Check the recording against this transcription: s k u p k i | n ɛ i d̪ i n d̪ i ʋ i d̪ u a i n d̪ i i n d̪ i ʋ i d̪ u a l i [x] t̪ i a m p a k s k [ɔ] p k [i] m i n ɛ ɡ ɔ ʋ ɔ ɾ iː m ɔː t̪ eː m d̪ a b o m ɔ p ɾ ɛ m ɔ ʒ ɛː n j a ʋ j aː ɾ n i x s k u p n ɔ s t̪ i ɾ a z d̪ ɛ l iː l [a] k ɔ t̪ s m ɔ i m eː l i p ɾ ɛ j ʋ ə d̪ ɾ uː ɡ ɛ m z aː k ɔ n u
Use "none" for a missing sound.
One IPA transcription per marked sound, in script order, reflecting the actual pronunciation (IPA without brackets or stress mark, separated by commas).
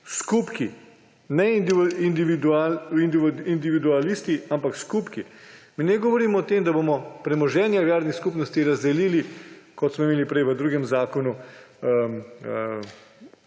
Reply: s, u, i, i